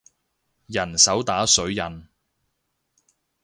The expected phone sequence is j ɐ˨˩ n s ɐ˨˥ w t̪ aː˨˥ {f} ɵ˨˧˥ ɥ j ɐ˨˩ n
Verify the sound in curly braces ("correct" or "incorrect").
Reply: incorrect